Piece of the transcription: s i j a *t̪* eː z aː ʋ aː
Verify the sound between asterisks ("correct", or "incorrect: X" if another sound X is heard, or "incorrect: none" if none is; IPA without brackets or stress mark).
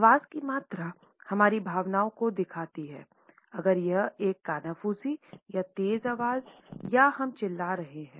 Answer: correct